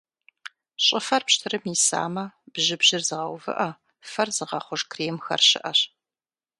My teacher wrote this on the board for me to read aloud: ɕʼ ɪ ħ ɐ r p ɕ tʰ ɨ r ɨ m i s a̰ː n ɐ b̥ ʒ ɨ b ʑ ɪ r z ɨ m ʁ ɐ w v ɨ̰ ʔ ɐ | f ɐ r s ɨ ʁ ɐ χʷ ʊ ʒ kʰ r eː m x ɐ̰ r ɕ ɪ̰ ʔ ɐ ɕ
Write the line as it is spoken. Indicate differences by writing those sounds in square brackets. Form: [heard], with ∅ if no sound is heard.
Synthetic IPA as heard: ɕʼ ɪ [f] ɐ r p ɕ tʰ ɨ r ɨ m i s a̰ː [m] ɐ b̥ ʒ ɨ b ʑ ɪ r z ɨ [∅] ʁ ɐ w v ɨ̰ ʔ ɐ | f ɐ r [z] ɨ ʁ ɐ χʷ ʊ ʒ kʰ r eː m x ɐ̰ r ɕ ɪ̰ ʔ ɐ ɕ